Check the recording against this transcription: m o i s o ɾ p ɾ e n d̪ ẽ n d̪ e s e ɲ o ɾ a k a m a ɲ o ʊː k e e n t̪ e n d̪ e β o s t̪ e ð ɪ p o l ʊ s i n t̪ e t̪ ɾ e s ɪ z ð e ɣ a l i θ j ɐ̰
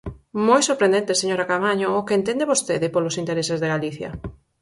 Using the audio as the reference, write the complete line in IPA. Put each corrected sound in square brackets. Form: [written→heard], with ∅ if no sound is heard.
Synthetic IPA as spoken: m o [i→j] s o ɾ p ɾ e n d̪ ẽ n [d̪→t̪] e s e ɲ o ɾ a k a m a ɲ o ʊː k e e n t̪ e n d̪ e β o s t̪ e ð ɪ p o l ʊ s i n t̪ e [t̪→∅] ɾ e s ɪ z ð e ɣ a l i θ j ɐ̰

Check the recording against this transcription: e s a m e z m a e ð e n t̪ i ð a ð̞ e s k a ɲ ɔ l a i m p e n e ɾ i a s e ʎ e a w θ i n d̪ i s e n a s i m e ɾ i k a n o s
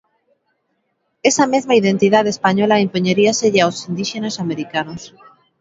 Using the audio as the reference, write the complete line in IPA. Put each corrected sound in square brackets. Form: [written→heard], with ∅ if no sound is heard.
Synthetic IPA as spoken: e s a m e z m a [e→i] ð e n t̪ i ð a ð̞ e s [k→p] a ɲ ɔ l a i m p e [n→ɲ] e ɾ i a s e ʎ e a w [θ→s] i n d̪ i [s→ʃ] e n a s [i→a] m e ɾ i k a n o s

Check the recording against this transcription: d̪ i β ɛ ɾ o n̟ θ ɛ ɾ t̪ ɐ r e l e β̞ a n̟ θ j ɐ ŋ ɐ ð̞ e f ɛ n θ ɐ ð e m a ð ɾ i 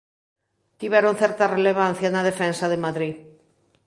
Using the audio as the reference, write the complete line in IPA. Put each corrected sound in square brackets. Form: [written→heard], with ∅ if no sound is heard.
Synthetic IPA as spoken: [d̪→t̪] i β ɛ ɾ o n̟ θ ɛ ɾ t̪ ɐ r e l e β̞ a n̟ θ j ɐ [ŋ→n] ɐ ð̞ e f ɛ n [θ→s] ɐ ð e m a ð ɾ i

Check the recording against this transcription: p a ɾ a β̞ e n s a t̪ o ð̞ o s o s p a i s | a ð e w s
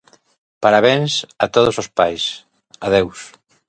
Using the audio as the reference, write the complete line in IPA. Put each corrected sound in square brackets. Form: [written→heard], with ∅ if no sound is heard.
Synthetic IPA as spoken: p a ɾ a β̞ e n s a t̪ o ð̞ o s o s p a [i→j] s | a ð e w s

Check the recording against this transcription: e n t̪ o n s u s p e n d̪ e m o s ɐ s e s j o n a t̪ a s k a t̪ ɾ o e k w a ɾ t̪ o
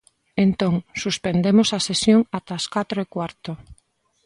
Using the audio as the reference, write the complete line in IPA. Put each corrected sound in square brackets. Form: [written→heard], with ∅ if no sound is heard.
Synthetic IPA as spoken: e n t̪ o [n→ŋ] s u s p e n d̪ e m o s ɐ s e s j o [n→ŋ] a t̪ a s k a t̪ ɾ o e k w a ɾ t̪ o

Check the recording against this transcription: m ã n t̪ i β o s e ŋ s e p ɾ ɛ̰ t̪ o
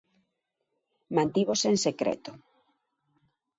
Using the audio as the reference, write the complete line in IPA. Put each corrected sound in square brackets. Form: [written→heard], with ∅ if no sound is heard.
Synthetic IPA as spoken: m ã n t̪ i β o s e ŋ s e [p→k] ɾ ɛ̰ t̪ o

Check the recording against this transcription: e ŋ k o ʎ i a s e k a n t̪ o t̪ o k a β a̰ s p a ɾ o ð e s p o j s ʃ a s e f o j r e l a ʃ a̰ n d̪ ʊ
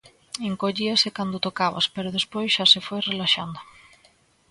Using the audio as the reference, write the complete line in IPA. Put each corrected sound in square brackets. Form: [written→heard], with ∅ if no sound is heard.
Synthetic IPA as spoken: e ŋ k o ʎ i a s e k a n [t̪→d̪] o t̪ o k a β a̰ s p [a→e] ɾ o ð e s p o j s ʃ a s e f o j r e l a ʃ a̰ n d̪ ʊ

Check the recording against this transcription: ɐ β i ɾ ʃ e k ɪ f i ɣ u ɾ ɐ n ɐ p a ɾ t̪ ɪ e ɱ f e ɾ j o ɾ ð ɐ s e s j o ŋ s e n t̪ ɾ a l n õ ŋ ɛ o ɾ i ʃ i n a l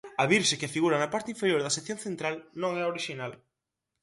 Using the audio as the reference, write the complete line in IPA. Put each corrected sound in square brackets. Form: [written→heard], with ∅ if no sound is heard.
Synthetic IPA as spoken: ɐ β i ɾ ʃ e k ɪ f i ɣ u ɾ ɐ n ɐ p a ɾ t̪ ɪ [e→i] ɱ f e ɾ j o ɾ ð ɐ s e [s→θ] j o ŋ [s→θ] e n t̪ ɾ a l n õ ŋ ɛ o ɾ i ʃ i n a l

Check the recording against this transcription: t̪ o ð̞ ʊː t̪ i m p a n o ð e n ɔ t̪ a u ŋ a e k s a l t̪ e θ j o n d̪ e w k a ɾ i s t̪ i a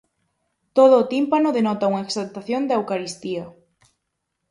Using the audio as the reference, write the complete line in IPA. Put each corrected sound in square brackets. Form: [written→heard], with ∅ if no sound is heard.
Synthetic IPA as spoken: t̪ o ð̞ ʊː t̪ i m p a n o ð e n ɔ t̪ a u ŋ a e k s a l t̪ [e→a] θ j o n d̪ e w k a ɾ i s t̪ i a

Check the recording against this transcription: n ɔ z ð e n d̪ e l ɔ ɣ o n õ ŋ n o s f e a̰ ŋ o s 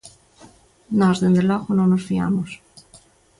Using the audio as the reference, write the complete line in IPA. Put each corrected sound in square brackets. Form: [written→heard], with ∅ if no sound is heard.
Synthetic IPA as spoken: n ɔ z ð e n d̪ e l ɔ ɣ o n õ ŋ n o s f [e→i] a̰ [ŋ→m] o s

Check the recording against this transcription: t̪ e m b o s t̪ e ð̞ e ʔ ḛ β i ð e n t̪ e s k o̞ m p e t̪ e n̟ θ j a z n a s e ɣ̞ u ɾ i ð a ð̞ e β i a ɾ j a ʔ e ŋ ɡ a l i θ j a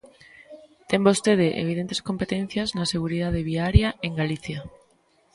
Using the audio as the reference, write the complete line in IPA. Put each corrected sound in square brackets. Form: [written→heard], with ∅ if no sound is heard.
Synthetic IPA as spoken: t̪ e m b o s t̪ e ð̞ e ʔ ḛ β i ð e n t̪ e s k o̞ m p e t̪ e n̟ θ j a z n a s e ɣ̞ u ɾ i ð a ð̞ e β i a ɾ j a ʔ e ŋ ɡ a l i θ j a

